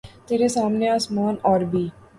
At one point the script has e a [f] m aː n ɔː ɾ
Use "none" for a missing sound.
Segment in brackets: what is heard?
s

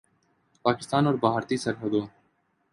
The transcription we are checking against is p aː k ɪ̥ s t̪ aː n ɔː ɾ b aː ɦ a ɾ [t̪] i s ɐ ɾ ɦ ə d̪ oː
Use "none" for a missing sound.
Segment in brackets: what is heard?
t̪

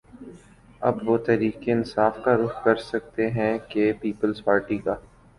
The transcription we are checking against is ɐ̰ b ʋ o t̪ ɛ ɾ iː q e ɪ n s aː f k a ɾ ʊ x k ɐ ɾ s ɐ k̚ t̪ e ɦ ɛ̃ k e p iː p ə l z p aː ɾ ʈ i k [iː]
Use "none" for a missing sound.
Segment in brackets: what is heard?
aː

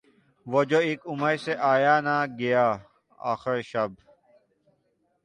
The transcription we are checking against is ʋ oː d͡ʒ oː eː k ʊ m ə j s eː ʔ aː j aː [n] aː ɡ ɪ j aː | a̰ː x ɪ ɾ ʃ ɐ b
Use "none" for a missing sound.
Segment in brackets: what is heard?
n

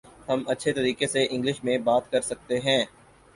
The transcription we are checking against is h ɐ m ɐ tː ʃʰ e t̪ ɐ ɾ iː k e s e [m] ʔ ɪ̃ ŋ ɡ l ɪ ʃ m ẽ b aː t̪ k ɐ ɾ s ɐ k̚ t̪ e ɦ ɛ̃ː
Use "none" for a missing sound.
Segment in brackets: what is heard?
none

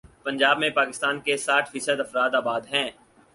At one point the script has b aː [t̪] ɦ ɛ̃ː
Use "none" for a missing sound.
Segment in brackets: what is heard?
d̪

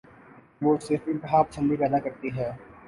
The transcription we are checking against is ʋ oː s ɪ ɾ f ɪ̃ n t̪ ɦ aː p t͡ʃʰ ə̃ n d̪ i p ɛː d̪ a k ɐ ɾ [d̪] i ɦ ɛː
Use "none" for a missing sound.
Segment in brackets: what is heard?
t̪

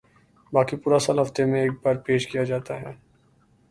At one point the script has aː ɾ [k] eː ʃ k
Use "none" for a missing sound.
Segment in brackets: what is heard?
p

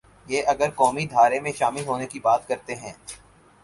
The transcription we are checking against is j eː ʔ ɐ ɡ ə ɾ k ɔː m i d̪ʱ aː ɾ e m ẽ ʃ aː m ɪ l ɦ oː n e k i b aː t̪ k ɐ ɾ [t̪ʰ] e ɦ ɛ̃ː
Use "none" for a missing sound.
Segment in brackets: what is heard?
t̪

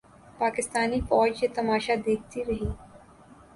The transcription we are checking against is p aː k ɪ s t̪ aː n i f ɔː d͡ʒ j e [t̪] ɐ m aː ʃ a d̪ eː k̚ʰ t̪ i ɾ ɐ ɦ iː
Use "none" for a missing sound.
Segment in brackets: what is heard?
t̪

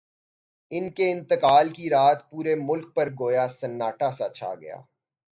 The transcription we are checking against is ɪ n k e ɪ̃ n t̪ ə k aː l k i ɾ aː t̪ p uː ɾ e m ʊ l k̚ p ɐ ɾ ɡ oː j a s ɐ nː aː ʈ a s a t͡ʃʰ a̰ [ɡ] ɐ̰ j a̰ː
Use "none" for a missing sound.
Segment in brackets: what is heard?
ɡ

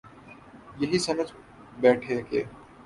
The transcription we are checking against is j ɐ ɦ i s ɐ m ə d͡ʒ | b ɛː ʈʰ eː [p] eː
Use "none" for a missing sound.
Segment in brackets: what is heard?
k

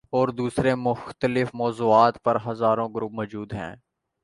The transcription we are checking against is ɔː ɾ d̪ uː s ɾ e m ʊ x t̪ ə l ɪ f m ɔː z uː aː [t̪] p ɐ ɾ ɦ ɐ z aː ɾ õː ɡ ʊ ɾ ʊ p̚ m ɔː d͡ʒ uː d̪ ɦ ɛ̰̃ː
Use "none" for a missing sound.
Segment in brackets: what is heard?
t̪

